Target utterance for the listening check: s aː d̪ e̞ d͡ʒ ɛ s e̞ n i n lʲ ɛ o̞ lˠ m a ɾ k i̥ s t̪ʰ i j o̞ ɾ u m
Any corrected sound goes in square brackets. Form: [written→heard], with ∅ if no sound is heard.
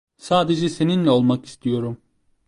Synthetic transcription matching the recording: s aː d̪ e̞ d͡ʒ ɛ s e̞ n i n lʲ ɛ o̞ lˠ m a [ɾ→∅] k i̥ s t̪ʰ i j o̞ ɾ u m